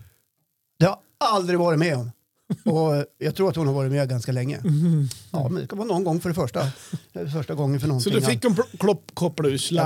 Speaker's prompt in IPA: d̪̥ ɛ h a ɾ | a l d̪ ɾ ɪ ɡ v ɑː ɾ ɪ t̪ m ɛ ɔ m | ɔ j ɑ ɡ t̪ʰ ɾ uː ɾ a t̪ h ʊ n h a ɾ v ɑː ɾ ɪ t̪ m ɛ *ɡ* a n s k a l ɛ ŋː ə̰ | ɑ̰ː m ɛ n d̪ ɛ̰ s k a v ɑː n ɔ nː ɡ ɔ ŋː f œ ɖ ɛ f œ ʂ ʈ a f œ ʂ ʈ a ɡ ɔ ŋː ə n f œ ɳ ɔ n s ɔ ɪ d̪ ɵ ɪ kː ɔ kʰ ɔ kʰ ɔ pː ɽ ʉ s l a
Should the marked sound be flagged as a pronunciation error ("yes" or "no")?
no